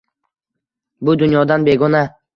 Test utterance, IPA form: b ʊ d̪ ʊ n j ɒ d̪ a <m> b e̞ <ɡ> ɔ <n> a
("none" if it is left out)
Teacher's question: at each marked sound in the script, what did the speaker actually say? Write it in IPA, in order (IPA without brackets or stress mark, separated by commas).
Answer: n, ɡ, n